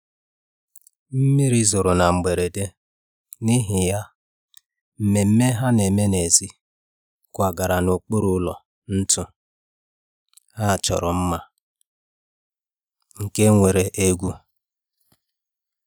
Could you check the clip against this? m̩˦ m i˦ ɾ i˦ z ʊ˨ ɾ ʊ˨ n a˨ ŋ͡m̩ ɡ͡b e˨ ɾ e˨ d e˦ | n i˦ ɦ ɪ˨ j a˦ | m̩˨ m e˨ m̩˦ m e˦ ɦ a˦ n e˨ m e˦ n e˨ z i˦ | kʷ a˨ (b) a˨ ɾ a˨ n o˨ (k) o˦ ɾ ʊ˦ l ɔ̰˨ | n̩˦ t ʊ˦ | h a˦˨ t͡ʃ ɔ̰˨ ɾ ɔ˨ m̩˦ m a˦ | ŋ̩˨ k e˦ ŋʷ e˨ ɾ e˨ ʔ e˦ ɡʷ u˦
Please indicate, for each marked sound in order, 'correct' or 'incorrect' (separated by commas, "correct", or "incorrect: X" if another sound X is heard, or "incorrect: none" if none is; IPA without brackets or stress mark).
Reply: incorrect: ɡ, incorrect: k͡p